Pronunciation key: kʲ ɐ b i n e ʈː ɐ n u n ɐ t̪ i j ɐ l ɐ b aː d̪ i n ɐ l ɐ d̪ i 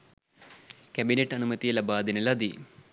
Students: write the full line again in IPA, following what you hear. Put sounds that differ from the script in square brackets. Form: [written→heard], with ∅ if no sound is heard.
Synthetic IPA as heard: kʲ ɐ b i n e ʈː ɐ n u [n→m] ɐ t̪ i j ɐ l ɐ b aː d̪ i n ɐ l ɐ d̪ i